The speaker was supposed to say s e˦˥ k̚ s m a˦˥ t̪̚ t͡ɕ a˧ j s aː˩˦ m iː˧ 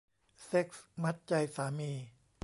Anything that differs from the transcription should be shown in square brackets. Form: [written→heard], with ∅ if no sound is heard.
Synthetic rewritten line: s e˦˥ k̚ s m a˦˥ t̪̚ t͡ɕ a˧ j s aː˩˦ m iː˧